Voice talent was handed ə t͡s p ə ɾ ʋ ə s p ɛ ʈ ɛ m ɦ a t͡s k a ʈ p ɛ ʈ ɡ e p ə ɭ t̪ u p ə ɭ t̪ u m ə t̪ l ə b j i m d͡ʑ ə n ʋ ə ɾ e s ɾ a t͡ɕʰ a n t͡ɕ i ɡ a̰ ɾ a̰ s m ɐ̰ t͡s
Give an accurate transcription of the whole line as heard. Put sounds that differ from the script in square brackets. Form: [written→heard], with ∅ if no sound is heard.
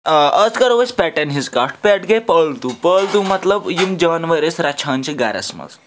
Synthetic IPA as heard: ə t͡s [p→k] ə ɾ ʋ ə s p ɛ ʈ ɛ [m→n] ɦ [a→i] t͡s k a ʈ p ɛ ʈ ɡ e p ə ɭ t̪ u p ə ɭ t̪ u m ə t̪ l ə b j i m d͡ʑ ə n ʋ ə ɾ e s ɾ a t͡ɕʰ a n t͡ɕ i ɡ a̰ ɾ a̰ s m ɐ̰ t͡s